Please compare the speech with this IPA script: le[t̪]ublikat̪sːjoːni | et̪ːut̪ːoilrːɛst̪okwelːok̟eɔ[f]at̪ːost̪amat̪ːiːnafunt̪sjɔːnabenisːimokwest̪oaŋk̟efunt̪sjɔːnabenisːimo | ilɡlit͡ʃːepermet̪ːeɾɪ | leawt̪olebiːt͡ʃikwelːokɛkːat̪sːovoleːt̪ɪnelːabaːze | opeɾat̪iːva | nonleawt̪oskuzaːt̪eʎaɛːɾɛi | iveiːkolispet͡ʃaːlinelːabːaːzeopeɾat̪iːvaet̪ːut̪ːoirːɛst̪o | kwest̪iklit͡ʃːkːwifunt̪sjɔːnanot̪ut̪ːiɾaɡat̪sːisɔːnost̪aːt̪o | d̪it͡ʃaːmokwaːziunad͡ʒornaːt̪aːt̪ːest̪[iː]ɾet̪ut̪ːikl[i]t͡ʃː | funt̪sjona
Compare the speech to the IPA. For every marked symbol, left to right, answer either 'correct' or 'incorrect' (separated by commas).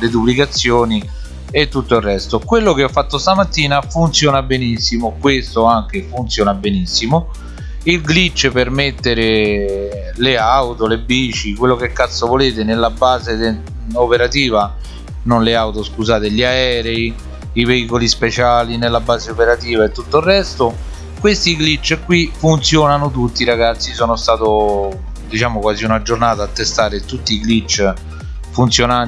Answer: incorrect, incorrect, incorrect, correct